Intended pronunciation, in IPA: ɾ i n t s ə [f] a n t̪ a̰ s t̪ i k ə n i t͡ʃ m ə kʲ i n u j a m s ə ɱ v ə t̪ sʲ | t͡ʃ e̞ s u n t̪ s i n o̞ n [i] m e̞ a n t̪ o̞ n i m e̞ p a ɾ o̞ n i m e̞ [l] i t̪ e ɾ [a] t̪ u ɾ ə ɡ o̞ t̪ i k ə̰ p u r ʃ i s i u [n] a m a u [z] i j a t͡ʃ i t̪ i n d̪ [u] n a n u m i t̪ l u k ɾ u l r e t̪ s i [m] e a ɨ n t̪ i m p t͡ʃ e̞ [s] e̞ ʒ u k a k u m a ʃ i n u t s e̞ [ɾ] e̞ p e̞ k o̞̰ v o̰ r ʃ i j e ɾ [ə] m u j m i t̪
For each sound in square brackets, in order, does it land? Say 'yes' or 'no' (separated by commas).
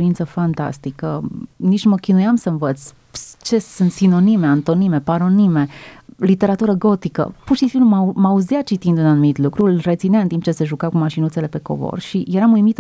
yes, yes, yes, yes, no, yes, yes, no, yes, no, no